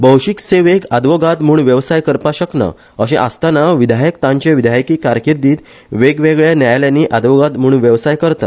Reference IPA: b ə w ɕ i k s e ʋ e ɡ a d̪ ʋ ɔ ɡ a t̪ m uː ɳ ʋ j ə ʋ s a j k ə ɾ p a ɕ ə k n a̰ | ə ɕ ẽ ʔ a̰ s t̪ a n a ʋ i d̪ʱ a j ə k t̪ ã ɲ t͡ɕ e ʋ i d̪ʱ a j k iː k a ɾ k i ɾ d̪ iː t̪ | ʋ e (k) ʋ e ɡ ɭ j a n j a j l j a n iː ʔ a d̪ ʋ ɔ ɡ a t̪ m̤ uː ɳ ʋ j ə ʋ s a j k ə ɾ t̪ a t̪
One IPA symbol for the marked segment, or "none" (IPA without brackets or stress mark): ɡ